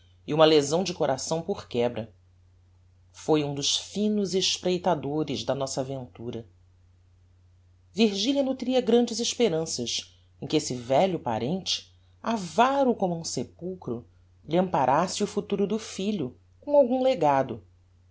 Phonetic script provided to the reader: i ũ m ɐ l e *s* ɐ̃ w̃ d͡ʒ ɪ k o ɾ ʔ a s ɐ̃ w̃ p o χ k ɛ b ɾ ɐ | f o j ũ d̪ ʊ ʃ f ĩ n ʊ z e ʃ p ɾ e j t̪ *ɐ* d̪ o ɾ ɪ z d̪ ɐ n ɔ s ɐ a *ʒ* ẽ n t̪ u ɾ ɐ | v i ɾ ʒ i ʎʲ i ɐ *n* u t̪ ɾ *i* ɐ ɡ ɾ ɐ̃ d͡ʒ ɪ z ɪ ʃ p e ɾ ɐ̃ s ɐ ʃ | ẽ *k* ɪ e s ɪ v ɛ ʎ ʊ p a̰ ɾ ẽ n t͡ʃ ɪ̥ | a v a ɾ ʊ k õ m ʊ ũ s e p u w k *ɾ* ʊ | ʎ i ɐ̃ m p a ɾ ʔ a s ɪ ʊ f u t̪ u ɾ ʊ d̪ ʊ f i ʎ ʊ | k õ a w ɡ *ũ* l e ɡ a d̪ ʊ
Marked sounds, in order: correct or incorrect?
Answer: incorrect, incorrect, incorrect, correct, correct, correct, correct, correct

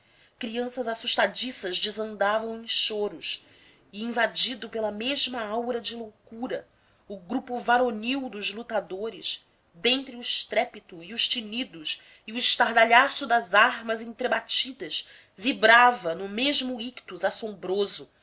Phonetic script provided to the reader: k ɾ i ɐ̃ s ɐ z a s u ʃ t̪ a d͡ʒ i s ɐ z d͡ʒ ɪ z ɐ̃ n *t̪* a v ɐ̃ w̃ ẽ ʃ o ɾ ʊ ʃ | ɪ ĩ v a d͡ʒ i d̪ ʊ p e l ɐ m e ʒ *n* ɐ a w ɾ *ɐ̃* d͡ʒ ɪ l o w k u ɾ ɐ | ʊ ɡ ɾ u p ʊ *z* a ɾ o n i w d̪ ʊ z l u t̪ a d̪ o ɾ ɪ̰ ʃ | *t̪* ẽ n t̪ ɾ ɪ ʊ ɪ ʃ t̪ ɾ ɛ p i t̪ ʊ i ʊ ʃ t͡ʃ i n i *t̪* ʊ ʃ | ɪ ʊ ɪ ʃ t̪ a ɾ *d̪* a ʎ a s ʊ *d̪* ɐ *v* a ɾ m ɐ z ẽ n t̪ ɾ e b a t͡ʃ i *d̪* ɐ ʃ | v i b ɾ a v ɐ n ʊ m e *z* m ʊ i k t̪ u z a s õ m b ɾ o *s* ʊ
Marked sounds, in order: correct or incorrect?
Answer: incorrect, incorrect, incorrect, incorrect, incorrect, incorrect, correct, correct, incorrect, correct, incorrect, incorrect

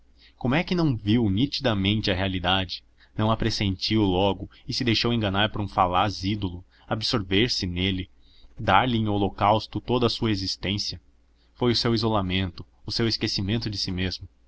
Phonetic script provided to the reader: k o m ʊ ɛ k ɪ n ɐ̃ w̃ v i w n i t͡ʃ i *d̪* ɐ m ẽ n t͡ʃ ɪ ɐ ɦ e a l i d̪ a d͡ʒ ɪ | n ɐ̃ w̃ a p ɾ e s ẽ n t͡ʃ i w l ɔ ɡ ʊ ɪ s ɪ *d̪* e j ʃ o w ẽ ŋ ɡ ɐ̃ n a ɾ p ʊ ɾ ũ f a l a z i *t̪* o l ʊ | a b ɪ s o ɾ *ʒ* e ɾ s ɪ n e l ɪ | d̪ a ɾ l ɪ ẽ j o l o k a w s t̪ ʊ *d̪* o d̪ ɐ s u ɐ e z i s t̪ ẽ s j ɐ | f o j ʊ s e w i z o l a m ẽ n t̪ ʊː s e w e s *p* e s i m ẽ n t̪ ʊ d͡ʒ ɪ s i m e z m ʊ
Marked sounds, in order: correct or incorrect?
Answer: correct, correct, incorrect, incorrect, incorrect, incorrect

